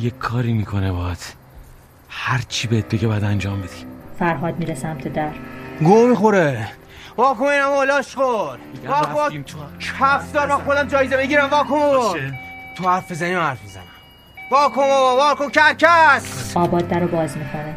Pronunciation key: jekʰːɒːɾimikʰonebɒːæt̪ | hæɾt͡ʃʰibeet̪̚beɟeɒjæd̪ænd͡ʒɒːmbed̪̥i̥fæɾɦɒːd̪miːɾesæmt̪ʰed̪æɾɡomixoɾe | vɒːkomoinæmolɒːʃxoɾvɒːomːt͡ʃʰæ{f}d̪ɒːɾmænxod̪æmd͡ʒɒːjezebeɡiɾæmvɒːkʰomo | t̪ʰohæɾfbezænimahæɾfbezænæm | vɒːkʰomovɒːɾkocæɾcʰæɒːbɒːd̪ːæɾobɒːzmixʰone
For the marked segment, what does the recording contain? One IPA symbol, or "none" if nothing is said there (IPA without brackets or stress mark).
f